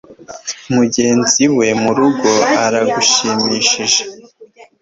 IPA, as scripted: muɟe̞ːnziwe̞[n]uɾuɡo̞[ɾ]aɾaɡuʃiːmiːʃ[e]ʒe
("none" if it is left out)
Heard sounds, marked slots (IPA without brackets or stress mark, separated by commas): m, none, i